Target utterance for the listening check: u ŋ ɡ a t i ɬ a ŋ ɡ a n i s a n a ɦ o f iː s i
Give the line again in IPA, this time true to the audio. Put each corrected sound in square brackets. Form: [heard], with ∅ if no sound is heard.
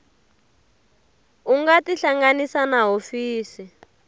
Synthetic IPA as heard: u ŋ ɡ a t i ɬ a ŋ ɡ a n i s a n a ɦ o f iː s i